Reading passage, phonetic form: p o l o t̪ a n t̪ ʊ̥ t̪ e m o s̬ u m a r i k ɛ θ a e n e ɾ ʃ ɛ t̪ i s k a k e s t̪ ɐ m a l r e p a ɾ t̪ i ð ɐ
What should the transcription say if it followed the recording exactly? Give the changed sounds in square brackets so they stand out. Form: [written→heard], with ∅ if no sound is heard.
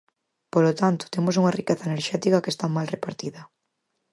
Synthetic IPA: p o l o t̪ a n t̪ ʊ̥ t̪ e m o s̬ u [m→ŋ] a r i k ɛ θ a e n e ɾ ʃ ɛ t̪ i [s→∅] k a k e s t̪ [ɐ→a] m a l r e p a ɾ t̪ i ð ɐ